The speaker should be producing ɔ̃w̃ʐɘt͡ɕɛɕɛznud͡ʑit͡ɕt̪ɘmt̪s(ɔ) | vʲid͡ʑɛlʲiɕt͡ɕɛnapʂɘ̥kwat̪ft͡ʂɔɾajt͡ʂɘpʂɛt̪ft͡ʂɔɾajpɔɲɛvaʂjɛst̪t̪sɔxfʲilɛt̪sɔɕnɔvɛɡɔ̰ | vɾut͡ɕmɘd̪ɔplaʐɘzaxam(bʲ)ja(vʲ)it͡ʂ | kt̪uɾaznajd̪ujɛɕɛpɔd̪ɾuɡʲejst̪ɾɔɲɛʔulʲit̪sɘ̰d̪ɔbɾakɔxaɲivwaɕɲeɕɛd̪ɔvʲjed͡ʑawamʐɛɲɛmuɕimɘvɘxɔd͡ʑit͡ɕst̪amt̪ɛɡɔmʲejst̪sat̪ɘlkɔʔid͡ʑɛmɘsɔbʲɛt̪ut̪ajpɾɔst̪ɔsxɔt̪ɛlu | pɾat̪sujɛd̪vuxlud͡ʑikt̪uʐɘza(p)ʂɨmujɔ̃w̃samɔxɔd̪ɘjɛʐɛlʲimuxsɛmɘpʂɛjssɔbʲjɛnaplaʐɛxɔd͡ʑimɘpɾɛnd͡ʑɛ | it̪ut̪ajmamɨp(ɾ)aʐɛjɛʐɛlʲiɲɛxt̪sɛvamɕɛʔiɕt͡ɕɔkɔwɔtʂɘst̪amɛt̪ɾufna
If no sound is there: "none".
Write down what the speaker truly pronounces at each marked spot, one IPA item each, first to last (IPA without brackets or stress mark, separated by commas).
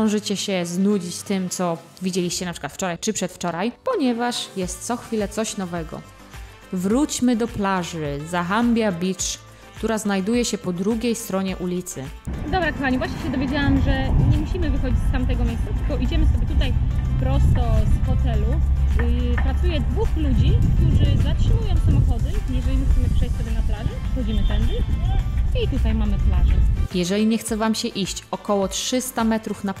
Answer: ɔ, bʲ, bʲ, t, l